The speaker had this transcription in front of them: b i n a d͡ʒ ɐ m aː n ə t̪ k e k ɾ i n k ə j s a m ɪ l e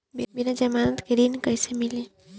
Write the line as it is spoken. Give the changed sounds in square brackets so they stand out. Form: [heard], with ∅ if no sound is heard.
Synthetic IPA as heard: b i n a d͡ʒ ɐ m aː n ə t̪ k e [∅] ɾ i n k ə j s [e] m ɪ l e

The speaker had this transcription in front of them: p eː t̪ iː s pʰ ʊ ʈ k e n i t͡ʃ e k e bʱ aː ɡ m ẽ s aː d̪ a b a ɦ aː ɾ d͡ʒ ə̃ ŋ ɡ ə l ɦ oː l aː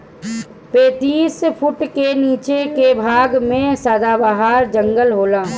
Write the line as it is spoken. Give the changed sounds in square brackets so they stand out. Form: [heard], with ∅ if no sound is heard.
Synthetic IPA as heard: p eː t̪ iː s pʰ ʊ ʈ k e n [iː] t͡ʃ e k e bʱ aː ɡ m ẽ s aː d̪ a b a ɦ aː ɾ d͡ʒ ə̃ ŋ ɡ ə l ɦ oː l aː

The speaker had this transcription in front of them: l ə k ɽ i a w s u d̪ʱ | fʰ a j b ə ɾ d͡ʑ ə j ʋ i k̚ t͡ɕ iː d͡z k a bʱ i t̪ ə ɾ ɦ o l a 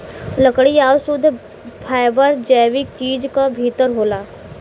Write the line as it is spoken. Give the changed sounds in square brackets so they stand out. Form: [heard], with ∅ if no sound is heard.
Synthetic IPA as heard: l ə k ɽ i a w s u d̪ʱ | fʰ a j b ə ɾ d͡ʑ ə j ʋ i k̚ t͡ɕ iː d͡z k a bʱ i t̪ ə ɾ ɦ o l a

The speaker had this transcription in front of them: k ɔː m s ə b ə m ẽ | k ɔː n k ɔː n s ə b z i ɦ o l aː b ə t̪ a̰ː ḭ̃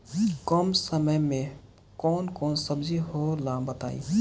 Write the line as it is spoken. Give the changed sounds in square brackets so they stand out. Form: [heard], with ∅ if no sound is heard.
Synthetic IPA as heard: k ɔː m s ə [m] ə m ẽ | k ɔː n k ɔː n s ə b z i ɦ o l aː b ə t̪ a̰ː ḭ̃

